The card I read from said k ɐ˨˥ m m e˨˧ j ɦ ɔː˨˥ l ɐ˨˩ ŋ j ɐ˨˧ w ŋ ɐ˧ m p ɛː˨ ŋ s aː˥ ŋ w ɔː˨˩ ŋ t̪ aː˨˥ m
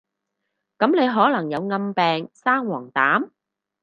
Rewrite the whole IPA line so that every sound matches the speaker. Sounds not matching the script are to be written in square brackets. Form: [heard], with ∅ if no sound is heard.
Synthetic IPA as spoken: k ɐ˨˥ m [n] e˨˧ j ɦ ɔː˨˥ l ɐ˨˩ ŋ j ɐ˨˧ w ŋ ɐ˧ m p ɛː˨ ŋ s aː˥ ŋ w ɔː˨˩ ŋ t̪ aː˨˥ m